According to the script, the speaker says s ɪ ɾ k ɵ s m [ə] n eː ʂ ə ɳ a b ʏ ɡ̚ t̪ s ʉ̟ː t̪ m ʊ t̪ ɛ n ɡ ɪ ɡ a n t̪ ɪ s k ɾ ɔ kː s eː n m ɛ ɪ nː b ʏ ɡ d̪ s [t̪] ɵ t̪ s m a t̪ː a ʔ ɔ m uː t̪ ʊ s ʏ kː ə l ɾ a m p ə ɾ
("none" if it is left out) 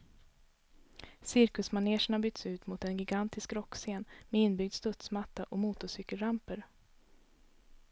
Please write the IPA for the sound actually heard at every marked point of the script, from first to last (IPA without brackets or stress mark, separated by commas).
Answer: a, t̪